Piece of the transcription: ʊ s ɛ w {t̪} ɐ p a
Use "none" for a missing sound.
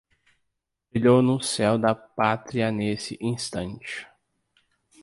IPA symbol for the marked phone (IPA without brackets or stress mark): d̪